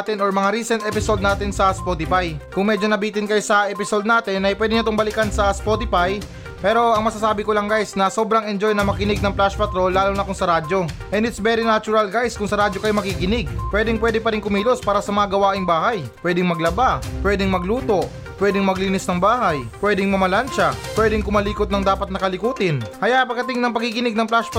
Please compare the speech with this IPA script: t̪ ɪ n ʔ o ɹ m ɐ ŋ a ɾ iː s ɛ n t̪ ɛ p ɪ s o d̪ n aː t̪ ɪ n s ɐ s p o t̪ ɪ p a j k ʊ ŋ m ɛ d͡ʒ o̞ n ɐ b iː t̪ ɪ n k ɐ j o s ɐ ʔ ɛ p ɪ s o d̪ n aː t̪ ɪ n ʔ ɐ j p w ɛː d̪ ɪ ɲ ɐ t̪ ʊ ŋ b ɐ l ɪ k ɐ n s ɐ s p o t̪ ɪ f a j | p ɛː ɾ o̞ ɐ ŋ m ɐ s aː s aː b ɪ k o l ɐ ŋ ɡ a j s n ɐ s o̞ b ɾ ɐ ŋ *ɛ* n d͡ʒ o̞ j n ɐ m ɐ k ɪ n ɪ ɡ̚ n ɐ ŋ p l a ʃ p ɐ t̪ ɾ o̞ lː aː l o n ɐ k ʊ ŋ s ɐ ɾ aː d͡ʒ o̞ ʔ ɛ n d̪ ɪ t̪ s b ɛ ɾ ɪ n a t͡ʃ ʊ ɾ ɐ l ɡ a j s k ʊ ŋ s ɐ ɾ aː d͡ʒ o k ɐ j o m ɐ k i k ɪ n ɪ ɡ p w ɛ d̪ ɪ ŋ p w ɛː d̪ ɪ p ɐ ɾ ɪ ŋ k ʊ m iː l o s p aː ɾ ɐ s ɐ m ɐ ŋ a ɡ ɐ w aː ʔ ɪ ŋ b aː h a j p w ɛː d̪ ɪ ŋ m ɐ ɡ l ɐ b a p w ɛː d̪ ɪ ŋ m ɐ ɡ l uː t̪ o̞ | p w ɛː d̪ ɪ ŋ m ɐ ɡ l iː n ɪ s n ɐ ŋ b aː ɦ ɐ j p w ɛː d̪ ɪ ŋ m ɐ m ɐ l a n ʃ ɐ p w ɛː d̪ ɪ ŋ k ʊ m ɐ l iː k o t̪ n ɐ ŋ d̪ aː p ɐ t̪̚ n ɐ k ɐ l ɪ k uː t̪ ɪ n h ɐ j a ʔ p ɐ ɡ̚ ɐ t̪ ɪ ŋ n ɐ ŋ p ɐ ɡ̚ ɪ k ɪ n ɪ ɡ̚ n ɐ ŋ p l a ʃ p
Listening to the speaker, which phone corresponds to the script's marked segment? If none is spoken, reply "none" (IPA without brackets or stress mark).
ɛ